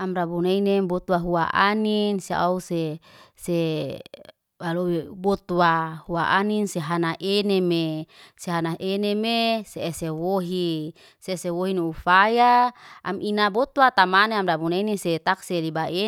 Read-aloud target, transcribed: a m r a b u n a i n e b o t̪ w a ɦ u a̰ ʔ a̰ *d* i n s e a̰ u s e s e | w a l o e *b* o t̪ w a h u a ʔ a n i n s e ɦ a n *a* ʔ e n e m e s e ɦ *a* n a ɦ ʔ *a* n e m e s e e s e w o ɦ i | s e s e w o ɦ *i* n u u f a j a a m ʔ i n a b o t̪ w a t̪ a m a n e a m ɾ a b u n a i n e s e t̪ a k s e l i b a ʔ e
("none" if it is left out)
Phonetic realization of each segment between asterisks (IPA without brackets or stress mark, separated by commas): n, b, a, a, e, i